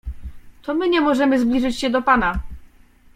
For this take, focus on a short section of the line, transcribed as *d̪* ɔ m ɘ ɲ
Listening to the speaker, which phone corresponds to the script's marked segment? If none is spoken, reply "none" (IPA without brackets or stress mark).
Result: t̪